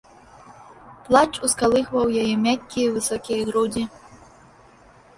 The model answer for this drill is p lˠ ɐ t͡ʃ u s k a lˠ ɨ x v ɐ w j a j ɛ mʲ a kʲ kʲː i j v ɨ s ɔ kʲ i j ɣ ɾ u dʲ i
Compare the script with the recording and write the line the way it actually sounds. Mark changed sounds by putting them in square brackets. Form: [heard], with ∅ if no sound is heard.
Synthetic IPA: p lˠ [a] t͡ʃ u s k a lˠ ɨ x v ɐ w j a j ɛ mʲ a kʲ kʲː i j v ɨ s ɔ kʲ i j ɣ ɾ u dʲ i